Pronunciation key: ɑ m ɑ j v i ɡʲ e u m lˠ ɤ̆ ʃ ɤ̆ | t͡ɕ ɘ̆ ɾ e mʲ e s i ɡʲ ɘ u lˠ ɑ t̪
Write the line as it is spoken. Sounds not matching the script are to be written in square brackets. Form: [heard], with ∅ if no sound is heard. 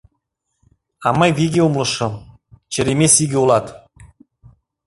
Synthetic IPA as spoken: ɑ m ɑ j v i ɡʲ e u m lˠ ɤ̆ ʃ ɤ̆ | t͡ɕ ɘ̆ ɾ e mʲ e s i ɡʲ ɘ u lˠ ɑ t̪